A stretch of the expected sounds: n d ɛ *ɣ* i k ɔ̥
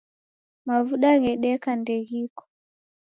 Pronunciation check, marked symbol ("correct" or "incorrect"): correct